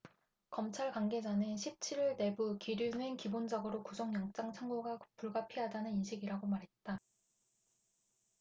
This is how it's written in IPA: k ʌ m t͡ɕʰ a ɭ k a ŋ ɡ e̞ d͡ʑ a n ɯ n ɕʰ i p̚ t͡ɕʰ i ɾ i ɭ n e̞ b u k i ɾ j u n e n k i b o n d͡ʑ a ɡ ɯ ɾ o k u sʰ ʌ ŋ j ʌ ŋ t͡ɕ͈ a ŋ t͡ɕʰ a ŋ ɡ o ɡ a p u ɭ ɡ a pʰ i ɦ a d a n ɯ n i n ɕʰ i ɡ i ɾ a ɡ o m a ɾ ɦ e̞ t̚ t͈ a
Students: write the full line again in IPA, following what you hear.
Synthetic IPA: k ʌ m t͡ɕʰ a ɭ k a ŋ ɡ e̞ d͡ʑ a n ɯ n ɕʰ i p̚ t͡ɕʰ i ɾ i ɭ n e̞ b u k i ɾ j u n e n k i b o n d͡ʑ a ɡ ɯ ɾ o k u sʰ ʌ ŋ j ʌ ŋ t͡ɕ͈ a ŋ t͡ɕʰ a ŋ ɡ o ɡ a p u ɭ ɡ a pʰ i ɦ a d a n ɯ n i n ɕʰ i ɡ i ɾ a ɡ o m a ɾ ɦ e̞ t̚ t͈ a